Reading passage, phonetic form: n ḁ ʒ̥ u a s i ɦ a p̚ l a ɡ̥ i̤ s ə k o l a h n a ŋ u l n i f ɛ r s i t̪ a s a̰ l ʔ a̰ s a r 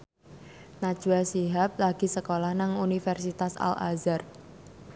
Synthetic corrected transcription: n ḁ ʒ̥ u a s i ɦ a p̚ l a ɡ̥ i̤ s ə k o l a h n a ŋ u n i f ɛ r s i t̪ a s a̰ l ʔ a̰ z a r

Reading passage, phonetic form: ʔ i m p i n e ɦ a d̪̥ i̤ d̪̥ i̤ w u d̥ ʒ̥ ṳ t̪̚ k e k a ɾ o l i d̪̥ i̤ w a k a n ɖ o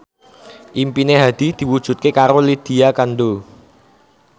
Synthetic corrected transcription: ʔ i m p i n e ɦ a d̪̥ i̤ d̪̥ i̤ w u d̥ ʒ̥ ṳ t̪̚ k e k a ɾ o l i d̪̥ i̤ a k a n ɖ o

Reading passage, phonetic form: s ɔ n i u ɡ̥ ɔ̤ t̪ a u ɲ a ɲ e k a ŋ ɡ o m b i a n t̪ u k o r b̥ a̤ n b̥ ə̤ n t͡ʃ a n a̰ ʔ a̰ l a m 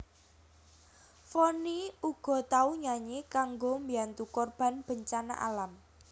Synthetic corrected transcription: f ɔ n i u ɡ̥ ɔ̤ t̪ a u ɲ a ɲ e k a ŋ ɡ o m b i a n t̪ u k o r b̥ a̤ n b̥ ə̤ ɲ t͡ʃ a n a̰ ʔ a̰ l a m

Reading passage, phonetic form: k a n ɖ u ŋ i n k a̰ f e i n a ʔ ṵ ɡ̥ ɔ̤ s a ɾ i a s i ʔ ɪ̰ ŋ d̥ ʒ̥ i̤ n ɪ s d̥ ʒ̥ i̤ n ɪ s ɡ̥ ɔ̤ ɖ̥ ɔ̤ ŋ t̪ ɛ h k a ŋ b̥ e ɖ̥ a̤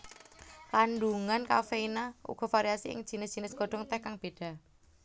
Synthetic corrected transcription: k a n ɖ u ŋ a n k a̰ f e i n a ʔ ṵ ɡ̥ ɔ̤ f a ɾ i a s i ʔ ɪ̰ ŋ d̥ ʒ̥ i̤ n ɪ s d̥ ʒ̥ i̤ n ɪ s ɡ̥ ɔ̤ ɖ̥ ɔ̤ ŋ t̪ ɛ h k a ŋ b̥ e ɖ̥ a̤

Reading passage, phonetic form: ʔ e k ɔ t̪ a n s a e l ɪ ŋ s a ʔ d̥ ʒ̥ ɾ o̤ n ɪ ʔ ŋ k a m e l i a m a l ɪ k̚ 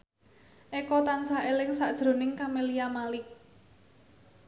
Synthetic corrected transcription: ʔ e k ɔ t̪ a n s a e l ɪ ŋ s a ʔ d̥ ʒ̥ ɾ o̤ n ɪ ŋ k a m e l i a m a l ɪ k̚

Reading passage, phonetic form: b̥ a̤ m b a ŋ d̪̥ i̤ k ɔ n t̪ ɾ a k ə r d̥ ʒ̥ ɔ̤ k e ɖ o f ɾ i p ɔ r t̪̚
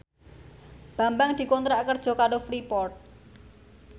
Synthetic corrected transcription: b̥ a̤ m b a ŋ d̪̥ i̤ k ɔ n t̪ ɾ a k ə r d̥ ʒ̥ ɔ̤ k a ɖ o f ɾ i p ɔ r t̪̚

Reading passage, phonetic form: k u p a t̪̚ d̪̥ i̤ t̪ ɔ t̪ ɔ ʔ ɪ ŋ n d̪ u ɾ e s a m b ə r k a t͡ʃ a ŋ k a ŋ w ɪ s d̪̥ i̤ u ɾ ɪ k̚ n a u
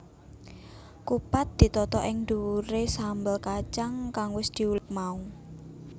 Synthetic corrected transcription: k u p a t̪̚ d̪̥ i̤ t̪ ɔ t̪ ɔ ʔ ɪ ŋ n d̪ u ɾ e s a m b ə l k a t͡ʃ a ŋ k a ŋ w ɪ s d̪̥ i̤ u l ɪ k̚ m a u

